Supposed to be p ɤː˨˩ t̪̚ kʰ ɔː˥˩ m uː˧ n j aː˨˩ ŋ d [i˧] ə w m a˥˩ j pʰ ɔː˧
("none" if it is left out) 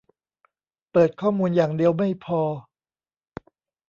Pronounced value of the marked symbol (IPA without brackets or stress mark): i˧